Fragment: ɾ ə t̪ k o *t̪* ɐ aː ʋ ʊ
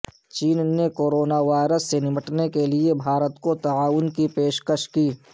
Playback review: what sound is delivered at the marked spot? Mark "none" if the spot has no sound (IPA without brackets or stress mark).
t̪